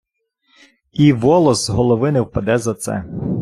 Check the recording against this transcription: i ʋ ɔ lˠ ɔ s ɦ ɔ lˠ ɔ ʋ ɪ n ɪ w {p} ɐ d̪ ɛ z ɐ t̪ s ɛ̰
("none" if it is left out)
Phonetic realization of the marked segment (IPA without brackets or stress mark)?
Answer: p